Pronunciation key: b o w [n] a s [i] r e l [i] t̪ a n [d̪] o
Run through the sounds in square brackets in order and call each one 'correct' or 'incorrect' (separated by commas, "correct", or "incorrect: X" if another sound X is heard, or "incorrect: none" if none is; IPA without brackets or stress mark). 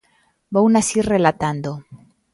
correct, correct, incorrect: a, correct